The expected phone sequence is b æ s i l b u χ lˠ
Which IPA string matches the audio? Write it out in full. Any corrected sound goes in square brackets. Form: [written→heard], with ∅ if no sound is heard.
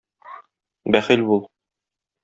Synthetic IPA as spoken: b æ [s→χ] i l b u [χ→∅] lˠ